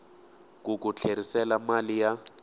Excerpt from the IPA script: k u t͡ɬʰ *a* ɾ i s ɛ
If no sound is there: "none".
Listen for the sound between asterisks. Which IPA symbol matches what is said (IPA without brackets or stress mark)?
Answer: e